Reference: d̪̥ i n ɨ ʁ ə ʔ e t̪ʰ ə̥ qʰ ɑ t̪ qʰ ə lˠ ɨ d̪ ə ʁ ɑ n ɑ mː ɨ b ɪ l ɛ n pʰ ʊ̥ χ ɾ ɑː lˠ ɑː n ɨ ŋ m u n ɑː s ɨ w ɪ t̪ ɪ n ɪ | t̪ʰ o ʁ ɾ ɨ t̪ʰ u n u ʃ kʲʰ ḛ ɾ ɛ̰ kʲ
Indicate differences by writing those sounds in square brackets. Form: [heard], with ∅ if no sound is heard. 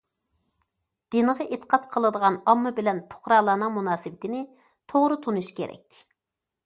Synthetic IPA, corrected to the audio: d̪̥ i n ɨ ʁ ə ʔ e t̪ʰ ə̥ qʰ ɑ t̪ qʰ ə lˠ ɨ d̪ ə ʁ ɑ n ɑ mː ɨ b ɪ l ɛ n pʰ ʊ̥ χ ɾ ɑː lˠ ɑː n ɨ ŋ m u n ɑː s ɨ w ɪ t̪ ɪ n ɪ | t̪ʰ o ʁ ɾ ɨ t̪ʰ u n u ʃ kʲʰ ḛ ɾ ɛ̰ kʲ